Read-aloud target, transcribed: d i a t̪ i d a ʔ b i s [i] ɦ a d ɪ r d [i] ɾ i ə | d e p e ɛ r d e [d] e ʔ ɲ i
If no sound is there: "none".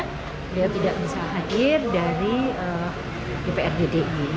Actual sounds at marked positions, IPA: a, a, d

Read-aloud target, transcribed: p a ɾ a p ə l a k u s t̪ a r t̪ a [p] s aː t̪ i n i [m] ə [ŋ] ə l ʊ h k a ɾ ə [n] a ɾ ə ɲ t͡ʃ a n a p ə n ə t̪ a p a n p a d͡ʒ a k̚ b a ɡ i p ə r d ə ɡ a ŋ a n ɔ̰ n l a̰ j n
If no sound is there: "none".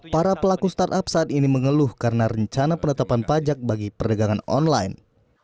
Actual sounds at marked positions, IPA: p, m, ŋ, n

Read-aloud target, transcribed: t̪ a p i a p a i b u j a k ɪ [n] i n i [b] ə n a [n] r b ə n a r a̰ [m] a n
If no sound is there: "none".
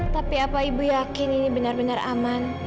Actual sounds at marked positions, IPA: n, b, none, m

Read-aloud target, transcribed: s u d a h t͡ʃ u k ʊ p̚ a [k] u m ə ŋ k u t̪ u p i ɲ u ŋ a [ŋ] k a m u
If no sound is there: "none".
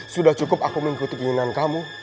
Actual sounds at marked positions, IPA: k, n

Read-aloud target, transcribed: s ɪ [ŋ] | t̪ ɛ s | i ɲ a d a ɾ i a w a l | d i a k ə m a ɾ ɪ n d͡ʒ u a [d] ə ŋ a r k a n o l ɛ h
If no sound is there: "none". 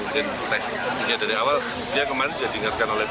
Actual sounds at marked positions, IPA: n, d

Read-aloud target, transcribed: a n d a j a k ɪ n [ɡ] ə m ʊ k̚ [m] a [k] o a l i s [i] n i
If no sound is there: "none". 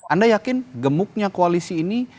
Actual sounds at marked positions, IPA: ɡ, ɲ, k, iː

